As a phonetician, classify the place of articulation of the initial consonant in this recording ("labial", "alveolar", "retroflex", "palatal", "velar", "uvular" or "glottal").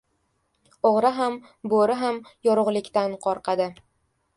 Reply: uvular